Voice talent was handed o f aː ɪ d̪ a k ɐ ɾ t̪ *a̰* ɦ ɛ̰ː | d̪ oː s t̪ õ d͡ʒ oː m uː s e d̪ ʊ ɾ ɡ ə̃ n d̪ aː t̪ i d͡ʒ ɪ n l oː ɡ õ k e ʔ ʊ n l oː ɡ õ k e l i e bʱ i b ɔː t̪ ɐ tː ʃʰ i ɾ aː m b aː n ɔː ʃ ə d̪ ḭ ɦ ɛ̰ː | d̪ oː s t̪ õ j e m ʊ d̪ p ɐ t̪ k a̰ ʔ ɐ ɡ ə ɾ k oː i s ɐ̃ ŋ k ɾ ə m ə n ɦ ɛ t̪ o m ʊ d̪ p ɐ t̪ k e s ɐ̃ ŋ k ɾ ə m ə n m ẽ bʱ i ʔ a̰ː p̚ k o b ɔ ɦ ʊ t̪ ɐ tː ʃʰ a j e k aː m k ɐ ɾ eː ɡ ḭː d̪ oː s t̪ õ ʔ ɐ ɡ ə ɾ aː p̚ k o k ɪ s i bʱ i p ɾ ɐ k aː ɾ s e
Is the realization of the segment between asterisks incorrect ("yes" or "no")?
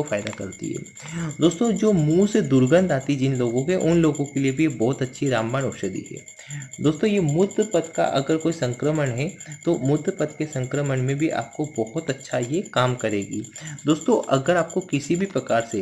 yes